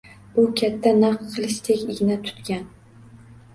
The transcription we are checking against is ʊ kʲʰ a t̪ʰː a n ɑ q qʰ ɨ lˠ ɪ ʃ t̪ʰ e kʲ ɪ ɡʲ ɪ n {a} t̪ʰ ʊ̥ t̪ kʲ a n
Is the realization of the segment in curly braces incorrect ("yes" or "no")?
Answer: no